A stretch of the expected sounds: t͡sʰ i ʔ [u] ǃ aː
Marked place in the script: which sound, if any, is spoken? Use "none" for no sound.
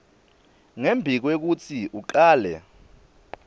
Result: u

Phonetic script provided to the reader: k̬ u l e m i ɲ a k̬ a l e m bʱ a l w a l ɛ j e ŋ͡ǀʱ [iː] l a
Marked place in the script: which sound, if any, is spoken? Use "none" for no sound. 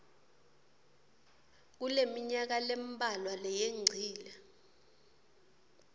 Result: iː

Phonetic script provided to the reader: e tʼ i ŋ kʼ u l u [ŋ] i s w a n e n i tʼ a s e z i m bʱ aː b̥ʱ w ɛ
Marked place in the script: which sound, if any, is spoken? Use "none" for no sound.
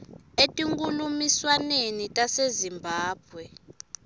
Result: m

